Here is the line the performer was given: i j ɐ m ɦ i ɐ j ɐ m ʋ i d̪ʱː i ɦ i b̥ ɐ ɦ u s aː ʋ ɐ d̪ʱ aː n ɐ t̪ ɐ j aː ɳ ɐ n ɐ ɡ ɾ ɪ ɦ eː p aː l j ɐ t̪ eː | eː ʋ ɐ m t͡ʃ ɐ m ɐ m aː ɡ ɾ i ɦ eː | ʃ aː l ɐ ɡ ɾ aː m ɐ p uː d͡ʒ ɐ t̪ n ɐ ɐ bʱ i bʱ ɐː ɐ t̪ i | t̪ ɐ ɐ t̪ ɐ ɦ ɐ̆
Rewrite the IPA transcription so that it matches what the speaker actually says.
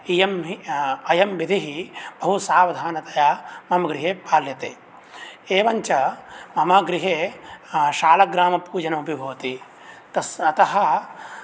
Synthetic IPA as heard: i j ɐ m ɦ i ɐ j ɐ m ʋ i d̪ʱ i ɦ i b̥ ɐ ɦ u s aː ʋ ɐ d̪ʱ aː n ɐ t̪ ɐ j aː m ɐ m ɐ ɡ ɾ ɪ ɦ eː p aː l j ɐ t̪ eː | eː ʋ ɐ ɲ t͡ʃ ɐ m ɐ m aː ɡ ɾ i ɦ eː | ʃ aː l ɐ ɡ ɾ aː m ɐ p uː d͡ʒ ɐ n ɐ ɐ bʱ i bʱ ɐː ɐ t̪ i | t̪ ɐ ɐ t̪ ɐ ɦ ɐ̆